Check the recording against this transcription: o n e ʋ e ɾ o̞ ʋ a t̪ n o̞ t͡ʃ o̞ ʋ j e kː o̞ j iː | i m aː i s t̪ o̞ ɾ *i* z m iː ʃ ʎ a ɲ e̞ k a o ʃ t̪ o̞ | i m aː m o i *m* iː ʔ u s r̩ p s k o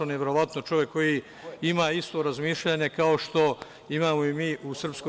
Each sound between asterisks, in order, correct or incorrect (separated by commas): incorrect, correct